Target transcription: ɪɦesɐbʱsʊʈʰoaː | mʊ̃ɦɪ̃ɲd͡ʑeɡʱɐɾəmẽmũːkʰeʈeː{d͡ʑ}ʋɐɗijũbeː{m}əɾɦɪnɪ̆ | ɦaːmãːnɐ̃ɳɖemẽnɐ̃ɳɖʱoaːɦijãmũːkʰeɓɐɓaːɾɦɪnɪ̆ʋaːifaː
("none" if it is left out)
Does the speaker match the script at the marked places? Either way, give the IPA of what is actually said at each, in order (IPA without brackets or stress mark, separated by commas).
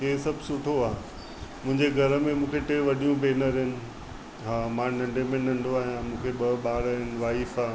none, n